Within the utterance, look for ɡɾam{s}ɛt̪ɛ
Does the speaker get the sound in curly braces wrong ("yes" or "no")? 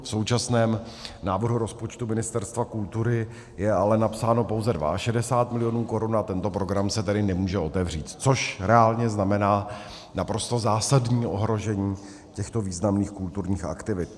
no